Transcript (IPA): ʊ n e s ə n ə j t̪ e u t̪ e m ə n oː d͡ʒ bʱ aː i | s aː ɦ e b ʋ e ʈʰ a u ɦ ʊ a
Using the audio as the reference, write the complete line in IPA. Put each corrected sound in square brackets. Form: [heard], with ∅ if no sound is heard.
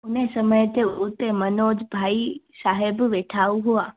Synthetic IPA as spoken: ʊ n e s ə [m] ə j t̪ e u t̪ e m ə n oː d͡ʒ bʱ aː i | s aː ɦ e b ʋ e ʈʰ a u ɦ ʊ a